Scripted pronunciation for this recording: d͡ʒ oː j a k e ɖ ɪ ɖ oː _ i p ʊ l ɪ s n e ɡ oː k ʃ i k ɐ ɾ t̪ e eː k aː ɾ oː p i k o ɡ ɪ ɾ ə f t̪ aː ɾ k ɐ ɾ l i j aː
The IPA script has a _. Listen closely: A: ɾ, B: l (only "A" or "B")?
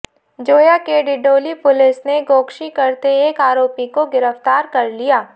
B